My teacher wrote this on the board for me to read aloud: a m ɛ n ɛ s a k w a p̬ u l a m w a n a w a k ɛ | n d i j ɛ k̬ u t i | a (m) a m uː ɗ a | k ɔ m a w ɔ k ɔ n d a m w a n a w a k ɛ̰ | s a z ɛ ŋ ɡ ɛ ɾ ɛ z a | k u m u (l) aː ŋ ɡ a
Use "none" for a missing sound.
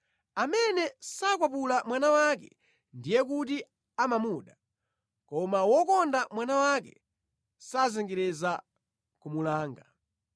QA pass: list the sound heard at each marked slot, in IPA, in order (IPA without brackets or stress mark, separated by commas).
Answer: m, l